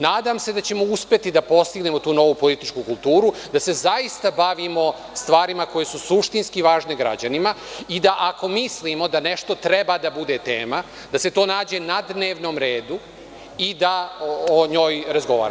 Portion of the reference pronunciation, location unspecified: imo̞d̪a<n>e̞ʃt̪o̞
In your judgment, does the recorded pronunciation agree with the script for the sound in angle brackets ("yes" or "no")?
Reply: yes